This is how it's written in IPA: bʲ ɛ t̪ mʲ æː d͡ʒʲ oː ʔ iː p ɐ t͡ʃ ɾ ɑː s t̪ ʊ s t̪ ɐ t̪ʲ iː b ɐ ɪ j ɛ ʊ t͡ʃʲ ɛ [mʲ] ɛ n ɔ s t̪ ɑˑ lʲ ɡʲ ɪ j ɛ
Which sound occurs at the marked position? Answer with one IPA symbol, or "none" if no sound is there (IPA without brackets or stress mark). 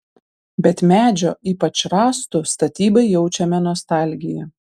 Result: mʲ